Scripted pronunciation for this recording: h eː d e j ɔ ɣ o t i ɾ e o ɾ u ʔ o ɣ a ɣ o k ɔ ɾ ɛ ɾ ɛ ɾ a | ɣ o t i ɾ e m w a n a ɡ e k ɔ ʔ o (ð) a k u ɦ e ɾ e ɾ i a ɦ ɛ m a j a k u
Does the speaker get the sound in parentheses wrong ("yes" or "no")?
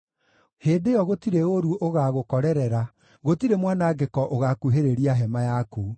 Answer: yes